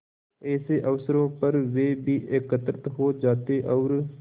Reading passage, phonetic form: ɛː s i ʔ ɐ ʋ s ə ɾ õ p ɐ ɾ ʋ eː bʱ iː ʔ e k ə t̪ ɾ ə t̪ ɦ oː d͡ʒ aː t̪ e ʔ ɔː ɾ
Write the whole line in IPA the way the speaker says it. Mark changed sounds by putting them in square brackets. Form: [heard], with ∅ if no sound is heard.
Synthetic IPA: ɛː s [e] ʔ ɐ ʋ s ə ɾ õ p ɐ ɾ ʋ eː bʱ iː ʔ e k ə t̪ ɾ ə t̪ ɦ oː d͡ʒ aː t̪ e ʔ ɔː ɾ

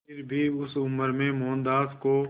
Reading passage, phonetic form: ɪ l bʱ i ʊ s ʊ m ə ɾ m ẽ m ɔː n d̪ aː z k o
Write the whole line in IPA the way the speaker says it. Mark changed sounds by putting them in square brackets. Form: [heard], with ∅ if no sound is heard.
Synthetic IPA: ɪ [ɾ] bʱ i ʊ s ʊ m ə ɾ m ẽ m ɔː n d̪ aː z k o

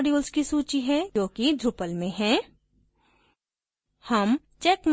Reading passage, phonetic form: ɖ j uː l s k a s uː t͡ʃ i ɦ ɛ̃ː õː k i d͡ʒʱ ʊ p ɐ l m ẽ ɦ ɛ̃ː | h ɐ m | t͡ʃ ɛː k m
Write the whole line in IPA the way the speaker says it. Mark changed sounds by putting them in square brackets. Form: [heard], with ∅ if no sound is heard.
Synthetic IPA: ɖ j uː l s k [i] s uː t͡ʃ i ɦ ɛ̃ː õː k i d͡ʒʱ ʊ p [ə] l m ẽ ɦ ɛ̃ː | h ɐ m | t͡ʃ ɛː k m

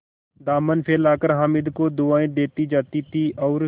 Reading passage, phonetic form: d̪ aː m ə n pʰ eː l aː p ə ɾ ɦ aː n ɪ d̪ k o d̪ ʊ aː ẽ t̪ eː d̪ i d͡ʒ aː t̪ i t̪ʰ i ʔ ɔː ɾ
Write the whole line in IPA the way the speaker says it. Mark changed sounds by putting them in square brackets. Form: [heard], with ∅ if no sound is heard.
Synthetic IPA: d̪ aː m ə n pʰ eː l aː [k] ə ɾ ɦ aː [m] ɪ d̪ k o d̪ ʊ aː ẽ [d̪] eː [t̪] i d͡ʒ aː t̪ i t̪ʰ i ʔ ɔː ɾ

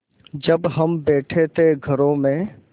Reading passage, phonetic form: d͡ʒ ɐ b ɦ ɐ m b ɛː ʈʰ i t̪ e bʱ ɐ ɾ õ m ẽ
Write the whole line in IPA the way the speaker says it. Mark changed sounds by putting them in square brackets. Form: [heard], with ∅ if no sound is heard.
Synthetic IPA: d͡ʒ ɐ b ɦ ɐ m b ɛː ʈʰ [e] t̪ e [ɡʱ] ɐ ɾ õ m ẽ

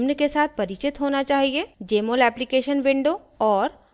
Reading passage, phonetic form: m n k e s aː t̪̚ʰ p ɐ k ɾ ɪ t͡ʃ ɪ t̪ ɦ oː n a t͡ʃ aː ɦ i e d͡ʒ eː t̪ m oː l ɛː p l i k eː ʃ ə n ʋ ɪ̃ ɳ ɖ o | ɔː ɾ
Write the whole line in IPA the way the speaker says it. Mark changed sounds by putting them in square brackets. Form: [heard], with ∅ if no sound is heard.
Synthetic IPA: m n k e s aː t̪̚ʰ p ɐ [∅] ɾ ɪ t͡ʃ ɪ t̪ ɦ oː n a t͡ʃ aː ɦ i e d͡ʒ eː [∅] m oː l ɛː p l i k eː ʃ ə n ʋ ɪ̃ ɳ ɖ o | ɔː ɾ

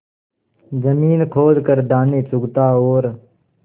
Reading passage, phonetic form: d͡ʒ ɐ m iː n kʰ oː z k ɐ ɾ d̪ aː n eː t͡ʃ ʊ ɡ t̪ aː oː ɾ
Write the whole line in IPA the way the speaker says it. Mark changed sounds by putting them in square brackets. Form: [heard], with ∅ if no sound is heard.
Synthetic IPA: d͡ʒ [ə] m iː n kʰ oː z k [ə] ɾ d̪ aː n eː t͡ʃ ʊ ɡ t̪ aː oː ɾ

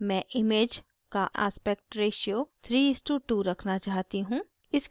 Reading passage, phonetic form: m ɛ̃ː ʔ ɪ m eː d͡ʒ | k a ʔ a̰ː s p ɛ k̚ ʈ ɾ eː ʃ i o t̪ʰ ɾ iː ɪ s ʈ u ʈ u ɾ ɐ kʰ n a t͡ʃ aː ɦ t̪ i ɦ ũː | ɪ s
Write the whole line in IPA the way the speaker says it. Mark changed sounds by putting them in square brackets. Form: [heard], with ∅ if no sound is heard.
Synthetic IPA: m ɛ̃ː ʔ ɪ m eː d͡ʒ | k a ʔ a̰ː s p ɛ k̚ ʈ ɾ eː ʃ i o t̪ʰ ɾ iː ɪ s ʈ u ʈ u ɾ ɐ kʰ n a t͡ʃ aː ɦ t̪ i ɦ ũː | ɪ s

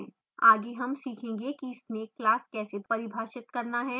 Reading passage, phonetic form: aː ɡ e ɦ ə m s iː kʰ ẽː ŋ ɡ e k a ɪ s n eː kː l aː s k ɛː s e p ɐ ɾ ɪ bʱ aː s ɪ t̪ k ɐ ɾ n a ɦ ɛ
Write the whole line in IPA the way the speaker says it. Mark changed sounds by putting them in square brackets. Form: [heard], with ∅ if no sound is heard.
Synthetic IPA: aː ɡ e ɦ [ɐ] m s iː kʰ ẽː ŋ ɡ e k [i] ɪ s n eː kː l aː s k ɛː s e p ɐ ɾ ɪ bʱ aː [ʃ] ɪ t̪ k ɐ ɾ n a ɦ ɛ

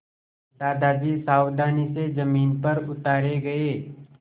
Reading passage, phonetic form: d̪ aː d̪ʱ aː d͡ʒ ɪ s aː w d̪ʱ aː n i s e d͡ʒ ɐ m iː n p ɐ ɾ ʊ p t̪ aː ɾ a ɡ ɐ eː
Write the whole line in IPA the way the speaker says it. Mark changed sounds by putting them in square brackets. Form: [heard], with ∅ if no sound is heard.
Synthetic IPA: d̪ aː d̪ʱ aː d͡ʒ [i] s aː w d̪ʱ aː n i s e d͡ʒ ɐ m iː n p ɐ ɾ ʊ [∅] t̪ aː ɾ [e] ɡ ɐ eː

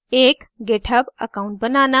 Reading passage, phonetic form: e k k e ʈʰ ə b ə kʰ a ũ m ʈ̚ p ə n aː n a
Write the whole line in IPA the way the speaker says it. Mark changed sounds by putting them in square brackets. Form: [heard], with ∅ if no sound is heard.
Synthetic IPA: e k [ɡ] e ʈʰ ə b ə [k] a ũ [ɳ] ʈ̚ [b] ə n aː n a

